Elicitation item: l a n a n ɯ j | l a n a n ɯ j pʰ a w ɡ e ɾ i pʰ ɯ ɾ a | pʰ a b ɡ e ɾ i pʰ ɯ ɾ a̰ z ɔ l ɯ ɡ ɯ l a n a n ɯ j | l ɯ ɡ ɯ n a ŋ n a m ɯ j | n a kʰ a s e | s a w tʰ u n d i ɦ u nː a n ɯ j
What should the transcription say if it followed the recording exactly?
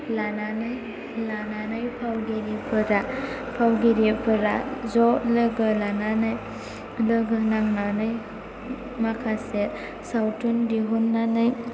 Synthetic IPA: l a n a n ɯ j | l a n a n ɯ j pʰ a w ɡ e ɾ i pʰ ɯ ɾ a | pʰ a w ɡ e ɾ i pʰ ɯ ɾ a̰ z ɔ l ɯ ɡ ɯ l a n a n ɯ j | l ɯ ɡ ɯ n a ŋ n a n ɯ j | m a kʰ a s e | s a w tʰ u n d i ɦ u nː a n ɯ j